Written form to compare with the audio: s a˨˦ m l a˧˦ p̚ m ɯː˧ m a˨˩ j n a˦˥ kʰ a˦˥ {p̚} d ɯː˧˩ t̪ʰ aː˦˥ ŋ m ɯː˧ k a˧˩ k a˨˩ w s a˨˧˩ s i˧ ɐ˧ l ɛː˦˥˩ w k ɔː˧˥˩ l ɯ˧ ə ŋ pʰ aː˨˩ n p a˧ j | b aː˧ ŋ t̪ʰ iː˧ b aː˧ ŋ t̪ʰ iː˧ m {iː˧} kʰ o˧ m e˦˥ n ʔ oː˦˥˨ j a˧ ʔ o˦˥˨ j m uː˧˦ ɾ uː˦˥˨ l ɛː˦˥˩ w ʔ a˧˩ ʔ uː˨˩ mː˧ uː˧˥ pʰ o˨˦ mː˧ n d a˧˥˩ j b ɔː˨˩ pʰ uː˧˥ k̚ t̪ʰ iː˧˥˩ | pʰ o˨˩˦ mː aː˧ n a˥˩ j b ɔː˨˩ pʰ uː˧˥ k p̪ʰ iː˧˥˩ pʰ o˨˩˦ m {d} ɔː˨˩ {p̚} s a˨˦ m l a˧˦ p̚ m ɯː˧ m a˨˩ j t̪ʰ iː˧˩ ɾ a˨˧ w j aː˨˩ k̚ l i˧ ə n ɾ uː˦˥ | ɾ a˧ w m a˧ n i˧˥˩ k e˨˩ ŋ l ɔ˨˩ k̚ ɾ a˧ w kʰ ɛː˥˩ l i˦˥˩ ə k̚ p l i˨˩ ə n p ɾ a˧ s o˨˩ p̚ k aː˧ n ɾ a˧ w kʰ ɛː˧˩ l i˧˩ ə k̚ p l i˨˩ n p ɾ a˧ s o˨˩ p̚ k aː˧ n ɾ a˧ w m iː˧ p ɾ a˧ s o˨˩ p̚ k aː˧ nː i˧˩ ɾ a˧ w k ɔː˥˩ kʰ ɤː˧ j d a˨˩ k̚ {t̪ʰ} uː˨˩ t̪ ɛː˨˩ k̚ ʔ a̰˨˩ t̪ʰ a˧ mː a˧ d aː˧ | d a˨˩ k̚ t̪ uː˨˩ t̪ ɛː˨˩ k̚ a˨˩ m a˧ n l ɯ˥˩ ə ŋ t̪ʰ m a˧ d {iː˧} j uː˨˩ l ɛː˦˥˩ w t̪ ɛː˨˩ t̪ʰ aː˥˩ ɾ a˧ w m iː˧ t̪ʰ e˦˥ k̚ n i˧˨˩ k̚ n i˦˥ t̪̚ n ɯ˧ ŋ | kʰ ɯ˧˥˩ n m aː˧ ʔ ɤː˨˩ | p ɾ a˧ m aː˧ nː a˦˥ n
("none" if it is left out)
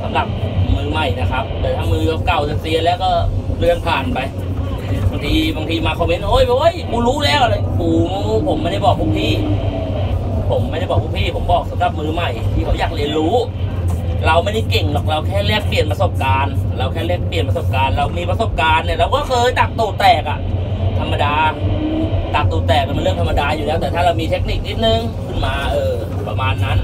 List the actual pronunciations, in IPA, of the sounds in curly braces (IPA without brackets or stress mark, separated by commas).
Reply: p̚, aː˧, b, k̚, t̪, aː˧